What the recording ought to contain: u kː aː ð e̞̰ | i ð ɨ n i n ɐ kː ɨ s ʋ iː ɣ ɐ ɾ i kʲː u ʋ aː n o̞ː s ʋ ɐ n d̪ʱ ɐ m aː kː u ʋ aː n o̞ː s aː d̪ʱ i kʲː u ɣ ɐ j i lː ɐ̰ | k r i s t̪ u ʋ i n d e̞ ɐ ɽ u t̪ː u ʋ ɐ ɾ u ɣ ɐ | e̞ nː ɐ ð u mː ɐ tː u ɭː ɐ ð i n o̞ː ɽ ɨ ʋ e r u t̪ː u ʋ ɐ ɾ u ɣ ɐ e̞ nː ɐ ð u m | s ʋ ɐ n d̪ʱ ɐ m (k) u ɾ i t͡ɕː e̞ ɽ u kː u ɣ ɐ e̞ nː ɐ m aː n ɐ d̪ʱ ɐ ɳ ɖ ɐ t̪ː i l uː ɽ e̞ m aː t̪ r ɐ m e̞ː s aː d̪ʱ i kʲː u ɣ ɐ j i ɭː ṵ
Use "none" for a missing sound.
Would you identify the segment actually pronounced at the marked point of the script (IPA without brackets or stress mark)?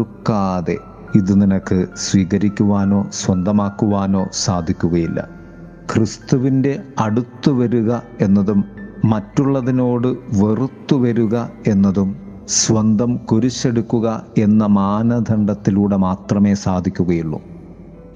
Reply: k